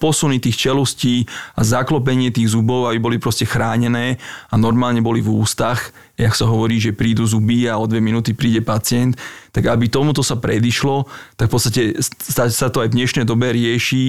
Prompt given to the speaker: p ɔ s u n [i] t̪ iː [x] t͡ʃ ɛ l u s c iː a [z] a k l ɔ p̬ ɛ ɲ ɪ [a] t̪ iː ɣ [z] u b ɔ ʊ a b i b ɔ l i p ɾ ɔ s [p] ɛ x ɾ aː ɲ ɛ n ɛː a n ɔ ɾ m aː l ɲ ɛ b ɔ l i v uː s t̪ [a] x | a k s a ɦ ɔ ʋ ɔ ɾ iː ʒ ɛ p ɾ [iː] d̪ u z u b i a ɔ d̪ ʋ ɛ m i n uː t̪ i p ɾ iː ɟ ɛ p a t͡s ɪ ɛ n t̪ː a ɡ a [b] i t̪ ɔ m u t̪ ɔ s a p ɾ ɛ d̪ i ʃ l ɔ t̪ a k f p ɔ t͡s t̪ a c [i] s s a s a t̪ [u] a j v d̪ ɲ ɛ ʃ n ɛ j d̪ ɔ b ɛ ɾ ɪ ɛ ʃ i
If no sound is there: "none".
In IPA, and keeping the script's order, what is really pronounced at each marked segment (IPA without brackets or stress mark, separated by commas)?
i, x, z, ɛ, z, c, a, iː, b, ɛ, ɔ